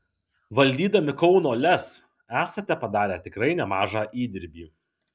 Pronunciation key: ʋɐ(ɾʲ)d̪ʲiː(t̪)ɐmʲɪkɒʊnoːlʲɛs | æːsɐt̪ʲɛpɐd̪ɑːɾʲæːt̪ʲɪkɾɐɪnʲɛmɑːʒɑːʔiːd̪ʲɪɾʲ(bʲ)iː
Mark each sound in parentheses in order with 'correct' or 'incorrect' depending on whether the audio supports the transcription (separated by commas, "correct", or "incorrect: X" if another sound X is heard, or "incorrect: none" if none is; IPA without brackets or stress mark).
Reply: incorrect: lʲ, incorrect: d̪, correct